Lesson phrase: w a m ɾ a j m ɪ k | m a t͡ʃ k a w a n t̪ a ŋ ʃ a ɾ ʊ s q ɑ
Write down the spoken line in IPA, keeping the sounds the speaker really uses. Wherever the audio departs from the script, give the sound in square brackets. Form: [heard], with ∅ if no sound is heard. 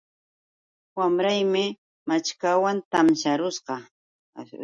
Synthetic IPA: w a m ɾ a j m ɪ [∅] | m a t͡ʃ k a w a n t̪ a [m] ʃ a ɾ ʊ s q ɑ